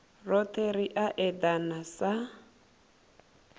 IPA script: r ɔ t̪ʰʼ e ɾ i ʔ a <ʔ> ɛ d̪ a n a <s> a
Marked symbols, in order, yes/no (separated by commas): yes, yes